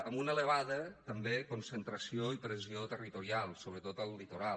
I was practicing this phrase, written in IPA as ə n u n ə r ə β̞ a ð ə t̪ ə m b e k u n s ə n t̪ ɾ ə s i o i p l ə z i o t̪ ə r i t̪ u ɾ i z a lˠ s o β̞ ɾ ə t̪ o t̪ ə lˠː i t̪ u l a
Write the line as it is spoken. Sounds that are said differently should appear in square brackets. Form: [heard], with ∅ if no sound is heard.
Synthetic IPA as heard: ə [m] u n ə [l] ə β̞ a ð ə t̪ ə m b e k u n s ə n t̪ ɾ ə s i o i p [ɾ] ə z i o t̪ ə r i t̪ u ɾ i [∅] a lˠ s o β̞ ɾ ə t̪ o t̪ ə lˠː i t̪ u [ɾ] a